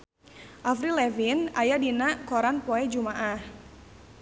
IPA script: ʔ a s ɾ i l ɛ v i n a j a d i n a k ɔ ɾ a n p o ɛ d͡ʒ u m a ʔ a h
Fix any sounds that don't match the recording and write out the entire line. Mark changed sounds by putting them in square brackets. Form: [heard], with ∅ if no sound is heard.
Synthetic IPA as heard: ʔ a [f] ɾ i l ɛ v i n a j a d i n a k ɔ ɾ a n p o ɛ d͡ʒ u m a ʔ a h